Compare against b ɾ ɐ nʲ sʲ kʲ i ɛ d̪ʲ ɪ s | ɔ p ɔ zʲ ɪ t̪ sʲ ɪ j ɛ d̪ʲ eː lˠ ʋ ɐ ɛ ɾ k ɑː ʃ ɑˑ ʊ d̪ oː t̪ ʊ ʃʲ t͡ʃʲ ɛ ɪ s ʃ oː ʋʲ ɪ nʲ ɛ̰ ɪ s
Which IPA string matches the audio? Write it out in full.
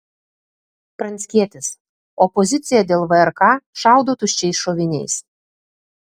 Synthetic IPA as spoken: p ɾ ɐ nʲ sʲ kʲ i ɛ t̪ʲ ɪ s | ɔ p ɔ zʲ ɪ t̪ sʲ ɪ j ɛ d̪ʲ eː lˠ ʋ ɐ ɛ ɾ k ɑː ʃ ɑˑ ʊ d̪ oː t̪ ʊ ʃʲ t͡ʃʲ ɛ ɪ s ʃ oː ʋʲ ɪ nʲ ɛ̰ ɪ s